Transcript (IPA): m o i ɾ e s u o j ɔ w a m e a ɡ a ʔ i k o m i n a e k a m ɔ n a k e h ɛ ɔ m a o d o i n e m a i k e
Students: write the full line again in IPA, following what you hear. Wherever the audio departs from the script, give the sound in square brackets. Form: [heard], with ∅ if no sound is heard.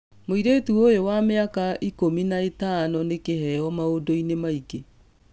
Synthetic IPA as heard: m o i ɾ e [t] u o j [o] w a m e a [k] a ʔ i k o m i n a e [t] a [n] ɔ n [e] k e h ɛ ɔ m a o d o i n e m a i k e